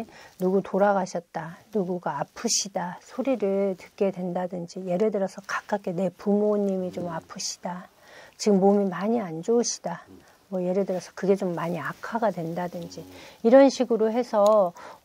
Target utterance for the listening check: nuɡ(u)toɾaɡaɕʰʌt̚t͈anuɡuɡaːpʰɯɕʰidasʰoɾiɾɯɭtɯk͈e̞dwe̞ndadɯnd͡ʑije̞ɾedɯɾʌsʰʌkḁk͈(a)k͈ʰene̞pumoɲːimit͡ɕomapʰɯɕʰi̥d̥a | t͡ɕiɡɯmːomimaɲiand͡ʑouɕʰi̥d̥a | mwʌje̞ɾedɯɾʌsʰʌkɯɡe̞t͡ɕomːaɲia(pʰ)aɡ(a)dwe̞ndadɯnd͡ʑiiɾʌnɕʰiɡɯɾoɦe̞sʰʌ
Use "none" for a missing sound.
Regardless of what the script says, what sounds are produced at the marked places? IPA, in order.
u, a, kʰ, a

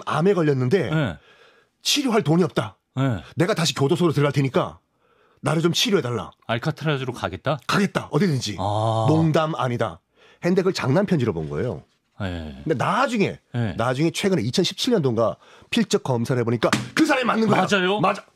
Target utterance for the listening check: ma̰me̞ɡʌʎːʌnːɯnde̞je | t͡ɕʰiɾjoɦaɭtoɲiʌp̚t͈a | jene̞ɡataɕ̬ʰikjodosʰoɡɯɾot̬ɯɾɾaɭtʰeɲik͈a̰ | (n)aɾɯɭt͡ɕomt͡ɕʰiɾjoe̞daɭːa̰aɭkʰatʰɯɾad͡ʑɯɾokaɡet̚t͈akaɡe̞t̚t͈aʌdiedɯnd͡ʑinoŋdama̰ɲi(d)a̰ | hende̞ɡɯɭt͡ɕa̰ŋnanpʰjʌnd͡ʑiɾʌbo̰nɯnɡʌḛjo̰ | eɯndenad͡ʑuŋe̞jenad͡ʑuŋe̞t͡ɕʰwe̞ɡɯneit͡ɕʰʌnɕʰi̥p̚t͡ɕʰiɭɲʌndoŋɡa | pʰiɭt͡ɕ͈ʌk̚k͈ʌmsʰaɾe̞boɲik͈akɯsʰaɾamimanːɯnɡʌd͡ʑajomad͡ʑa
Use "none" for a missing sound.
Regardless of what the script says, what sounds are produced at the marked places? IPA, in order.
n, d

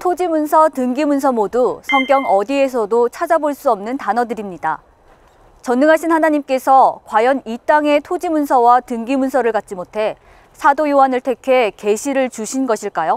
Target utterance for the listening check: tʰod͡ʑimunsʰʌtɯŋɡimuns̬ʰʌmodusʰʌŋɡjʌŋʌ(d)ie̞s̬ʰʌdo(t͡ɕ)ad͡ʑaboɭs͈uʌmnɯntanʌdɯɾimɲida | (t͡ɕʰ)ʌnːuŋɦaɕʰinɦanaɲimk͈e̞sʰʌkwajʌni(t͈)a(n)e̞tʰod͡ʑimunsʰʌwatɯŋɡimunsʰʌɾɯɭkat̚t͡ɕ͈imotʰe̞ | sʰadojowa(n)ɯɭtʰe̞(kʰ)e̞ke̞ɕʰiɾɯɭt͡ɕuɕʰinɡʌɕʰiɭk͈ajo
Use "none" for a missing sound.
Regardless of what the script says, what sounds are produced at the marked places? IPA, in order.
d, t͡ɕʰ, t͡ɕ, t͈, ŋ, n, kʰ

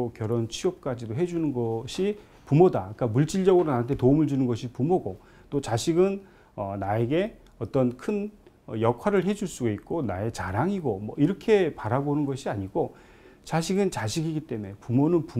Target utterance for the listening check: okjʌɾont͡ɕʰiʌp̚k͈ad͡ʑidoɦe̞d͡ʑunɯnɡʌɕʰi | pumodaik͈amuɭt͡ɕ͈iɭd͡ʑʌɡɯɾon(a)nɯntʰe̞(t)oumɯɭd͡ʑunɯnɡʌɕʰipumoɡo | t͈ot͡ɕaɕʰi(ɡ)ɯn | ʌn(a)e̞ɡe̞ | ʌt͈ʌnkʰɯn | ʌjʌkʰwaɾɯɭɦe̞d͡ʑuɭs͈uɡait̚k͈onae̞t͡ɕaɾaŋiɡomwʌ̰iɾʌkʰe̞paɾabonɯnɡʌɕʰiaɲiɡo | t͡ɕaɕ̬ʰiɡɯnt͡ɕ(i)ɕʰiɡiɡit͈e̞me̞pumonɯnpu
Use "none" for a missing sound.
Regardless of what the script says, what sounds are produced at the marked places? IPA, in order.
a, t, ɡ, a, a

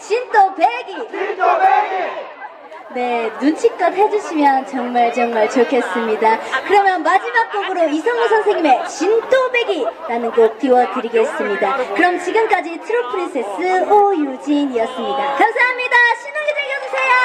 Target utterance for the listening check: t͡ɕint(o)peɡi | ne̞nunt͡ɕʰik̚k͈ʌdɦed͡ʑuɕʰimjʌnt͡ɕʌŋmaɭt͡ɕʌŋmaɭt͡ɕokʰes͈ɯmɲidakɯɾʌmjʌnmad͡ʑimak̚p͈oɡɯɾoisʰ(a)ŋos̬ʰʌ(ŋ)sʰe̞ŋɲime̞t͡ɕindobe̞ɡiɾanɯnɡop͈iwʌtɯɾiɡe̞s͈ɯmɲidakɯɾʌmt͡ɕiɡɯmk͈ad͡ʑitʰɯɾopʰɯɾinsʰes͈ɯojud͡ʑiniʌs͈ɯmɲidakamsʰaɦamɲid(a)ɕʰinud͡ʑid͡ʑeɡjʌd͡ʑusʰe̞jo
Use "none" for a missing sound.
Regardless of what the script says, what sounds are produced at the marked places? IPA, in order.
o, ʌ, n, a

